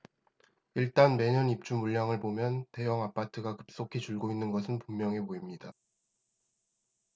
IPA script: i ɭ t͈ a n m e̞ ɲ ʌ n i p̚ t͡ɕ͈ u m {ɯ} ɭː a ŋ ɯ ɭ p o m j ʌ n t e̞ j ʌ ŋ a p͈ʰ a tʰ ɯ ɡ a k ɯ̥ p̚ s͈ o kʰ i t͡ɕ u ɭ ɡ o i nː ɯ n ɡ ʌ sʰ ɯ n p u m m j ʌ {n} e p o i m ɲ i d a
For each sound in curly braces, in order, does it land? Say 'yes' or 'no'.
no, no

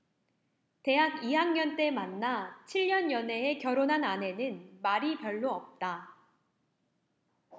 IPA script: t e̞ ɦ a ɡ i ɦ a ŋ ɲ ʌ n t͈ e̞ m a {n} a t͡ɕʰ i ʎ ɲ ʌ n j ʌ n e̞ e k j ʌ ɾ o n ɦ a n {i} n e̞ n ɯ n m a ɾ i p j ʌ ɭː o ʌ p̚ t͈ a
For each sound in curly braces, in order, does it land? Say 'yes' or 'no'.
no, no

